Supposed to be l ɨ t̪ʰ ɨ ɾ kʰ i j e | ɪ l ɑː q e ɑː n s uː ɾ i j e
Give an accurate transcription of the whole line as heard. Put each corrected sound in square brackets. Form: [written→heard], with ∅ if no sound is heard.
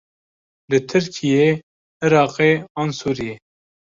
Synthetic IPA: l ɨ t̪ʰ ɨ ɾ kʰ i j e | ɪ [l→ɾ] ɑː q e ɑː n s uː ɾ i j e